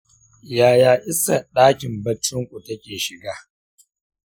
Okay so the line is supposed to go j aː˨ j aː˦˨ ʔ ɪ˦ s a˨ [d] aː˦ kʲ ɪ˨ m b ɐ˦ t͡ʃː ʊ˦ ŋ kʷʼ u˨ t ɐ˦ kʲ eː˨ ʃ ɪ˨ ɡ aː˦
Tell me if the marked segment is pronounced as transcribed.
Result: no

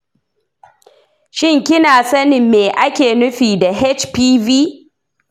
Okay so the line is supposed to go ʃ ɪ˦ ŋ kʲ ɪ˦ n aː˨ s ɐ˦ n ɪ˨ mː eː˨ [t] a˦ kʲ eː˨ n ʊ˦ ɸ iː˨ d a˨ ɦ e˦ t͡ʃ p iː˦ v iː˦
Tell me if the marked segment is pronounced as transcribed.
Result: no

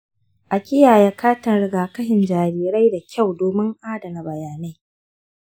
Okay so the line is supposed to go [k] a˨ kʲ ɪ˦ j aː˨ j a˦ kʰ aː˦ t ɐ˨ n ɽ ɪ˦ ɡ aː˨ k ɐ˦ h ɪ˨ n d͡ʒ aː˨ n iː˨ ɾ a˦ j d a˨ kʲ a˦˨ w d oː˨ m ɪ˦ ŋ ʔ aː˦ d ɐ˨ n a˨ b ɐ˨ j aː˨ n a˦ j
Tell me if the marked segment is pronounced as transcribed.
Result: no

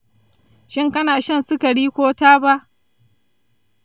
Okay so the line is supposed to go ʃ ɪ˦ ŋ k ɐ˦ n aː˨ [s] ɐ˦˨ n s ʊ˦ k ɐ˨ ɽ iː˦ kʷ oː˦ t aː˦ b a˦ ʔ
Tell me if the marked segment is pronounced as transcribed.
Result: no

